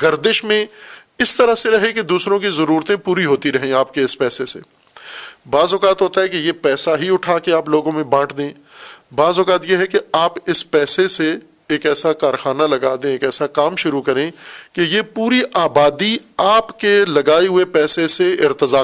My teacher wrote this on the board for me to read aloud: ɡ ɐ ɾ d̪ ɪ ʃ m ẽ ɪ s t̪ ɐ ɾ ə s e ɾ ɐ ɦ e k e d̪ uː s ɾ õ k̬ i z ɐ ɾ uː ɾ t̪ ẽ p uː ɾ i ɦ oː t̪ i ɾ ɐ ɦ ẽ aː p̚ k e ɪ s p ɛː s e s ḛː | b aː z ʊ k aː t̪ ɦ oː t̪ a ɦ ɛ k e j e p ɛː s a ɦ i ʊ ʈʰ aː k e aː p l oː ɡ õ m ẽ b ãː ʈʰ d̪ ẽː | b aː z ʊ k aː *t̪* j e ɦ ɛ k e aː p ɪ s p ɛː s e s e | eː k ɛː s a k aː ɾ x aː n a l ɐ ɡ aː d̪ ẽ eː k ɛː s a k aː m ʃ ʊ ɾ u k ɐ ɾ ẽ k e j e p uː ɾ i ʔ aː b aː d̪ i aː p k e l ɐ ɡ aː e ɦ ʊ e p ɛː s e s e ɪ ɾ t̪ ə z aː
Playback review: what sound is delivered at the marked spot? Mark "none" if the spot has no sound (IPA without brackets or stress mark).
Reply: t̪